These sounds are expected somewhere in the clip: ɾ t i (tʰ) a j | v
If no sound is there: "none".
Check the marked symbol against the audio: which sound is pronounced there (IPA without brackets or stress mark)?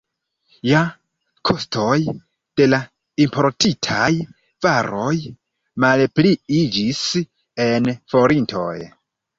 tʰ